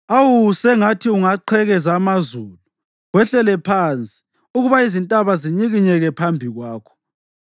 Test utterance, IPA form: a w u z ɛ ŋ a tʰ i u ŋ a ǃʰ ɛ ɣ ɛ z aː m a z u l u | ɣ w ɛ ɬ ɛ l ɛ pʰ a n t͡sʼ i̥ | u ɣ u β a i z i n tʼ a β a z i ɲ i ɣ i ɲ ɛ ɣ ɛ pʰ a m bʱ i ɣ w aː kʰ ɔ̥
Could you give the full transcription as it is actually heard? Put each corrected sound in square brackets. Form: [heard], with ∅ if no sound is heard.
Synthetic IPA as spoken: a w u [s] ɛ ŋ a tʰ i u ŋ a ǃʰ ɛ ɣ ɛ z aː m a z u l u | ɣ w ɛ ɬ ɛ l ɛ pʰ a n t͡sʼ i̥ | u ɣ u β a i z i n tʼ a β a z i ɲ i ɣ i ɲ ɛ ɣ ɛ pʰ a m bʱ i ɣ w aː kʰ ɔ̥

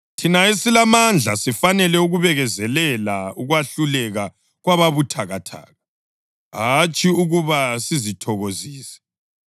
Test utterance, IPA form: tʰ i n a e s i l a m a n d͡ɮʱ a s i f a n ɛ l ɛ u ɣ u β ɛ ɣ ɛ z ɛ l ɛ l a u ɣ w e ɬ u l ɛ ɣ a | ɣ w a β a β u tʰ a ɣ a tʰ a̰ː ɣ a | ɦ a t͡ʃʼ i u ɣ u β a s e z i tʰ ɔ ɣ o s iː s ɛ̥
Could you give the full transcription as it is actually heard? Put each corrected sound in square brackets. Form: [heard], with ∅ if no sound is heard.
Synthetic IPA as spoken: tʰ i n a e s i l a m a n d͡ɮʱ a s i f a n ɛ l ɛ u ɣ u β ɛ ɣ ɛ z ɛ l ɛ l a u ɣ w [a] ɬ u l ɛ ɣ a | ɣ w a β a β u tʰ a ɣ a tʰ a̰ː ɣ a | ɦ a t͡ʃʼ i u ɣ u β a s [i] z i tʰ ɔ ɣ o [z] iː s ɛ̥

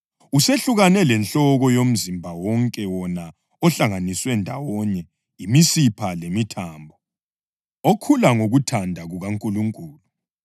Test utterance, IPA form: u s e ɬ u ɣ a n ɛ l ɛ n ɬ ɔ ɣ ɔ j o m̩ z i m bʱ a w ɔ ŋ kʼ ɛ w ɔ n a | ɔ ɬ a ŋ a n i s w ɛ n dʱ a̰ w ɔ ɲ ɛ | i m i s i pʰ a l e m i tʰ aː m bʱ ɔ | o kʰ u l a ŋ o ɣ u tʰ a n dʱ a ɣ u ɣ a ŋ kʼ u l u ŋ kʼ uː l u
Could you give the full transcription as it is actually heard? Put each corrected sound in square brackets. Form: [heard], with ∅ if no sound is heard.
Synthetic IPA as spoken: u s e ɬ u ɣ a n ɛ l ɛ n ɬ ɔ ɣ ɔ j o m̩ z i m bʱ a w ɔ ŋ kʼ ɛ w ɔ n a | ɔ ɬ a ŋ a n i s w ɛ n dʱ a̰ w ɔ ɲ ɛ | i m i s i pʰ a l e m i tʰ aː m bʱ ɔ | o kʰ u l a ŋ o ɣ u tʰ a n dʱ a ɣ u ɣ a ŋ kʼ u l u ŋ kʼ uː l u

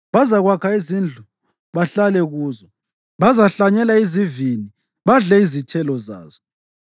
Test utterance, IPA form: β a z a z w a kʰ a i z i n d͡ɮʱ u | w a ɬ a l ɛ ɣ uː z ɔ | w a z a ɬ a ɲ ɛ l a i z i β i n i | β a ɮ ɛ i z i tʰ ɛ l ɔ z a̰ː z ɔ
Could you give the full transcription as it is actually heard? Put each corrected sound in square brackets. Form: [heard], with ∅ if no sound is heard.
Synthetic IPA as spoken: β a z a [ɣ] w a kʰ a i z i n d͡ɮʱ u | [β] a ɬ a l ɛ ɣ uː z ɔ | [β] a z a ɬ a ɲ ɛ l a i z i [v] i n i | β a ɮ ɛ i z i tʰ ɛ l ɔ z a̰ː z ɔ

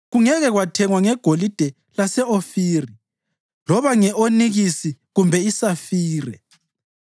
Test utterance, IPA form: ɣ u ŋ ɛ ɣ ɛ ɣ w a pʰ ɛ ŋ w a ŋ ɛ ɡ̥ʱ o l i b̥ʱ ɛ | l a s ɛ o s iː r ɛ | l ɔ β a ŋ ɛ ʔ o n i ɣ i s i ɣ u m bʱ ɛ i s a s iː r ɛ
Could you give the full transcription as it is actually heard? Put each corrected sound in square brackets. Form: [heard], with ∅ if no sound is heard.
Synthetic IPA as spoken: ɣ u ŋ ɛ ɣ ɛ ɣ w a [tʰ] ɛ ŋ w a ŋ ɛ ɡ̥ʱ o l i [d̥ʱ] ɛ | l a s ɛ o [f] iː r [i] | l ɔ β a ŋ ɛ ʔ o n i ɣ i s i ɣ u m bʱ ɛ i s a [f] iː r ɛ

